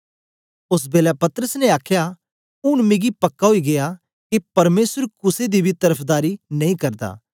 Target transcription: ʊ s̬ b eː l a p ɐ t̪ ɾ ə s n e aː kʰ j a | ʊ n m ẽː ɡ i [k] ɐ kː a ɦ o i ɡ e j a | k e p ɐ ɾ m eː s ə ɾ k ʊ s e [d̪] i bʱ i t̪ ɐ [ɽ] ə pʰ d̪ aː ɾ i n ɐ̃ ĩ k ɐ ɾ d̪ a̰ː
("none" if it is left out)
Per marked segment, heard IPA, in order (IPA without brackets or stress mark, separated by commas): p, d̪, ɾ